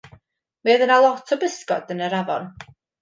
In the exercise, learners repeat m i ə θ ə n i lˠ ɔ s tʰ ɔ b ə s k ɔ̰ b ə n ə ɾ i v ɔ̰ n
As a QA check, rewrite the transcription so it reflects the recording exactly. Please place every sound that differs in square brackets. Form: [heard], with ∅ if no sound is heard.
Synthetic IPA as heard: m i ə [ð] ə n [a] lˠ ɔ [∅] tʰ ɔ b ə s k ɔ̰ [d] ə n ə ɾ [a] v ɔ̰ n